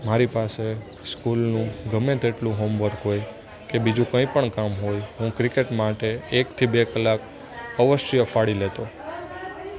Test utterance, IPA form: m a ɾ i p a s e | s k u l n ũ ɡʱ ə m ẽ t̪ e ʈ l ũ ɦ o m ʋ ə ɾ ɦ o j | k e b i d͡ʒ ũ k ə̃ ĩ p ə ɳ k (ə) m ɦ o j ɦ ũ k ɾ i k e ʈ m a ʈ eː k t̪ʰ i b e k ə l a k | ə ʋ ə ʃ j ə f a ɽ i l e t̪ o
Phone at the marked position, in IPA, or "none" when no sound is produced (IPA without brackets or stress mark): a